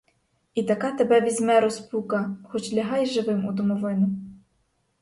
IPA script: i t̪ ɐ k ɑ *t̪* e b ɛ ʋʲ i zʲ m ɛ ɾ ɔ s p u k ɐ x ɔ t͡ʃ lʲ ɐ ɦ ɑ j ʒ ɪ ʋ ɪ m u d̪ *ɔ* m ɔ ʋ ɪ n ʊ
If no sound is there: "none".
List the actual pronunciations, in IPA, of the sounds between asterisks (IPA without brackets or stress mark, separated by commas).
t̪, ɔ